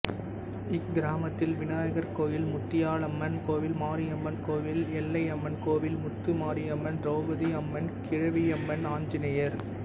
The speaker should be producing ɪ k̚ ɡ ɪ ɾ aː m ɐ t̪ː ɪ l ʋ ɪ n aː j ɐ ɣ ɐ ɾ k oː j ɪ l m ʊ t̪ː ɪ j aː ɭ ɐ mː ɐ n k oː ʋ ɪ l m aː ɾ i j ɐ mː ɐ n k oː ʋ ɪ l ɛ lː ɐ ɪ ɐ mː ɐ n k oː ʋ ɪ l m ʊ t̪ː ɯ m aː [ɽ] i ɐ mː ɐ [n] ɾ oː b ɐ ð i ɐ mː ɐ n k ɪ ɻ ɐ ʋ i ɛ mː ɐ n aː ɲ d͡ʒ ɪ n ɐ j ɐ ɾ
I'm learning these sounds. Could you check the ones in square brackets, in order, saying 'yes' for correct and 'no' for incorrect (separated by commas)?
no, yes